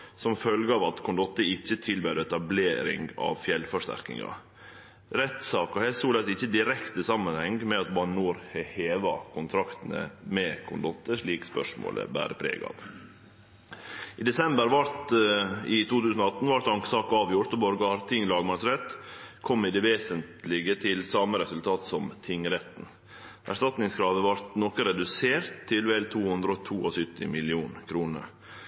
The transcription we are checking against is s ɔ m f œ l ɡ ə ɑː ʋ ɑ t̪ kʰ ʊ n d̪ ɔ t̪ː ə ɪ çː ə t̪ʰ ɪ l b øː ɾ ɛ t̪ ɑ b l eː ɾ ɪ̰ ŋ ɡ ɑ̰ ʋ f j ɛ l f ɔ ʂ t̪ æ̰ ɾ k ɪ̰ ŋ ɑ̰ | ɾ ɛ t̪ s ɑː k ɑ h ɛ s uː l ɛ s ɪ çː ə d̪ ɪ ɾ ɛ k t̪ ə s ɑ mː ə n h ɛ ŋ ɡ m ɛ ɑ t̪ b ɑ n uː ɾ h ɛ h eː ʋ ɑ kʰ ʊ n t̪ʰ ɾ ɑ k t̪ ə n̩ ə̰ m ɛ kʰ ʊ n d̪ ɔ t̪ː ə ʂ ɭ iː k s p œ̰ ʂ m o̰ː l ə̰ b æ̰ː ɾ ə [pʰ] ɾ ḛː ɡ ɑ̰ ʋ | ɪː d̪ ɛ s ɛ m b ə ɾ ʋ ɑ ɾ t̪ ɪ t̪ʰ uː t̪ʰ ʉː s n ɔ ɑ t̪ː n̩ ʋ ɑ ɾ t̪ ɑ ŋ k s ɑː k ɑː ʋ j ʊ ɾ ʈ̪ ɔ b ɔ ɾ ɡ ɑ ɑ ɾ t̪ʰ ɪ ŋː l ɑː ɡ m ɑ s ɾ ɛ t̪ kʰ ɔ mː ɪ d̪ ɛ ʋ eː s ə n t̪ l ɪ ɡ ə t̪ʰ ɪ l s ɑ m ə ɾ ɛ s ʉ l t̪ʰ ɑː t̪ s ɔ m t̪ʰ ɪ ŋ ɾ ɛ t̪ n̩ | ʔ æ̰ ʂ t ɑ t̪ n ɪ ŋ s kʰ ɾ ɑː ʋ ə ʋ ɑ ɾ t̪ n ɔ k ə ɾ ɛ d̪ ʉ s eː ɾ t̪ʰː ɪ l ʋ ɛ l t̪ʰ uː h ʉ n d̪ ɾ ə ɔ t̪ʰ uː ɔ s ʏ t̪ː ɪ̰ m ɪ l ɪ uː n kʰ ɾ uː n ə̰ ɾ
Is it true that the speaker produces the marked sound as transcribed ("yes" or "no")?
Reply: yes